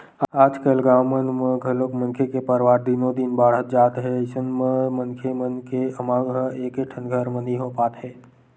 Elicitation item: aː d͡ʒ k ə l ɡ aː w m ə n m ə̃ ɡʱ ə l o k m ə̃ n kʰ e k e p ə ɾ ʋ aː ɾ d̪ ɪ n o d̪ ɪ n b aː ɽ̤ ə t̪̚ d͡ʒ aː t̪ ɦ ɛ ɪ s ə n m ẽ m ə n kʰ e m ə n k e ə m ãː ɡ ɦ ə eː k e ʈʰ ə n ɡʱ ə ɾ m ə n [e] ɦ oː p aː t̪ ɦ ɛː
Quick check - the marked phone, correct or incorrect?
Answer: incorrect